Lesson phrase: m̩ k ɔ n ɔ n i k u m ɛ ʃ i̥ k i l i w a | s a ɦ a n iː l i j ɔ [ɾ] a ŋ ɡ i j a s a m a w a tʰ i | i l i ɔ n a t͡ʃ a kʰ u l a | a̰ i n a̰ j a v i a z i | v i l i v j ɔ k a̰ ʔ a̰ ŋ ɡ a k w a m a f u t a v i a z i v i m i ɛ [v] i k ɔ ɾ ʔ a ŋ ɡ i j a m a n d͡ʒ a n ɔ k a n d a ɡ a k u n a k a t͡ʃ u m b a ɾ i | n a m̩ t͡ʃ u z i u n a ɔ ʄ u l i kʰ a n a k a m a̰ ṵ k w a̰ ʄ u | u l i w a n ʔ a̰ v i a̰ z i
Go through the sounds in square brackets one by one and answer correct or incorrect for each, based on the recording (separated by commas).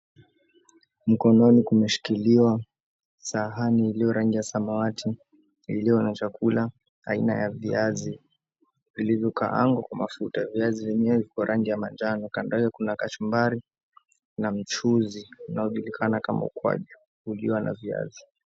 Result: correct, correct